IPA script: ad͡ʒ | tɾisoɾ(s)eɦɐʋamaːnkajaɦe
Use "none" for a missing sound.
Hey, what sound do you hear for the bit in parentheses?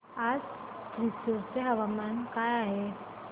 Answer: s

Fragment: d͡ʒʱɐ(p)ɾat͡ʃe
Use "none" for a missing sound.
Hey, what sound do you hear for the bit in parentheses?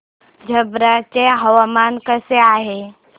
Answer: b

